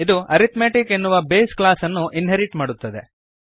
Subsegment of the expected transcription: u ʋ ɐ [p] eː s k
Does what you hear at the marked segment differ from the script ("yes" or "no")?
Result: yes